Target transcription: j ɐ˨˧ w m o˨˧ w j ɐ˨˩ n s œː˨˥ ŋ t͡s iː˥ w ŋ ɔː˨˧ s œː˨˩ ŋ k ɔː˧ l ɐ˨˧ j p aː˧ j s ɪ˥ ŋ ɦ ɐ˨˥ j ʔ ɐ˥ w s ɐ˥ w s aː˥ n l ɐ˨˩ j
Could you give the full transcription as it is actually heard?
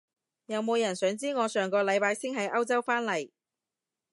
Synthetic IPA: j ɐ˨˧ w m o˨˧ w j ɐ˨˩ n s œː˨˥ ŋ t͡s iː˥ ŋ ɔː˨˧ s œː˨˩ ŋ k ɔː˧ l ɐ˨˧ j p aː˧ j s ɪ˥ ŋ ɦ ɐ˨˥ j ʔ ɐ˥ w t͡s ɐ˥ w f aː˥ n l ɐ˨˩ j